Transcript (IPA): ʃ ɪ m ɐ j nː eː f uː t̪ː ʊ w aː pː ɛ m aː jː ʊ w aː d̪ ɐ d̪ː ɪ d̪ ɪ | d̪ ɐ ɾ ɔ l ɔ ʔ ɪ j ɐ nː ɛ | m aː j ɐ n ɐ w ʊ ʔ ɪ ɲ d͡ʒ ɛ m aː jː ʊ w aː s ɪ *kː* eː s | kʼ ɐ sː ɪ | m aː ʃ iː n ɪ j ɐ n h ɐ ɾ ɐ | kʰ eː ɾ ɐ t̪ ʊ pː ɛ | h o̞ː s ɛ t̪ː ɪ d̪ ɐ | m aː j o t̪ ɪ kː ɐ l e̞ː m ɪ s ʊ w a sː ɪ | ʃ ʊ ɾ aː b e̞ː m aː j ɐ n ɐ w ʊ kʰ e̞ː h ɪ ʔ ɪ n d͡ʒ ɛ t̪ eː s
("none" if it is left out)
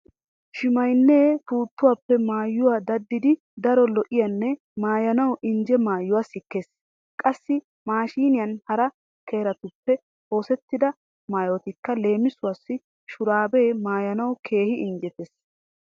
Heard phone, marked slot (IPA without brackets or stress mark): kː